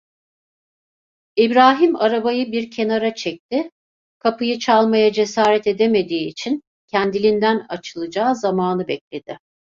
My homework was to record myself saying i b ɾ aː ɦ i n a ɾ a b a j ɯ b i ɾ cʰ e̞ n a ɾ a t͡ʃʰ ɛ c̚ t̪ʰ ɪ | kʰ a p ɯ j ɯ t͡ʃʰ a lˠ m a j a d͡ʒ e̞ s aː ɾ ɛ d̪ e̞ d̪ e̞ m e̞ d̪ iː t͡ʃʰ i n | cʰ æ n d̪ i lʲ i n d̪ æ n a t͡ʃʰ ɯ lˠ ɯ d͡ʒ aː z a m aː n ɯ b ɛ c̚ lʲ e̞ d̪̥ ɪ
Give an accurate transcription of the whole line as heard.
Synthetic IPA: i b ɾ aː ɦ i m a ɾ a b a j ɯ b i ɾ cʰ e̞ n a ɾ a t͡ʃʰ ɛ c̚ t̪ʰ ɪ | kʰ a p ɯ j ɯ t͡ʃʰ a lˠ m a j a d͡ʒ e̞ s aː ɾ ɛ t̪ e̞ d̪ e̞ m e̞ d̪ iː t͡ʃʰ i n | cʰ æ n d̪ i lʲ i n d̪ æ n a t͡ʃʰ ɯ lˠ ɯ d͡ʒ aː z a m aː n ɯ b ɛ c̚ lʲ e̞ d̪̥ ɪ